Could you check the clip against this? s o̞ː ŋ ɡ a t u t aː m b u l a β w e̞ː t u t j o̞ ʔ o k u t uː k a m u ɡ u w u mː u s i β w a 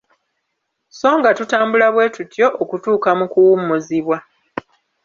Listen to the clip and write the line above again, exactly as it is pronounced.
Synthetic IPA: s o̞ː ŋ ɡ a t u t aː m b u l a β w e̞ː t u t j o̞ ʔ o k u t uː k a m u k u w u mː u z i β w a